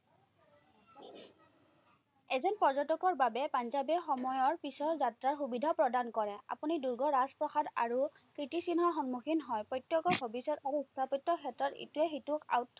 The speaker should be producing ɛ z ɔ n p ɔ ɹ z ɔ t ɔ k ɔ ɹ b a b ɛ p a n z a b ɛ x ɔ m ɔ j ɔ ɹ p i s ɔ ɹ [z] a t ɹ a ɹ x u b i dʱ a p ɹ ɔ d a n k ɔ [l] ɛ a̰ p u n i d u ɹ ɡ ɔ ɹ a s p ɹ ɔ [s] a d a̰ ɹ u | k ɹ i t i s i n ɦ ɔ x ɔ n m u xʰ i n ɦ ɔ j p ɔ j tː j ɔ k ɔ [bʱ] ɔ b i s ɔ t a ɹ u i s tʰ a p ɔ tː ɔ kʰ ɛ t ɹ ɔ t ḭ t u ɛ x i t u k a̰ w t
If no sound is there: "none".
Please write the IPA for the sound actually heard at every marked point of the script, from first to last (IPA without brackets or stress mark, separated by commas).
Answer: z, ɹ, x, bʱ